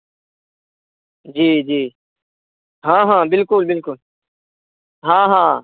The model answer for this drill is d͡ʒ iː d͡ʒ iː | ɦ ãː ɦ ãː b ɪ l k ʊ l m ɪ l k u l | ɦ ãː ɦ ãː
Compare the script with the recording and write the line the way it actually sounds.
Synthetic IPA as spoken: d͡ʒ iː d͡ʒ iː | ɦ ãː ɦ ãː b ɪ l k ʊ l b ɪ l k ʊ l | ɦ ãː ɦ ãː